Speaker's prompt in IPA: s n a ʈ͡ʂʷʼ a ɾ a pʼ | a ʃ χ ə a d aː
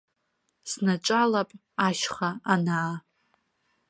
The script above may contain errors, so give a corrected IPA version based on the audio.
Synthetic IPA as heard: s n a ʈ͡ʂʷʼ a l a pʼ | a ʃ χ a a n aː